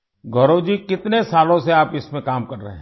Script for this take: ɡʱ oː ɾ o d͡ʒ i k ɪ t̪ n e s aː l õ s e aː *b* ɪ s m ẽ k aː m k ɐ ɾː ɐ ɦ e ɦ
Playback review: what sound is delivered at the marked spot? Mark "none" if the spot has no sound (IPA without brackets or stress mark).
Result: p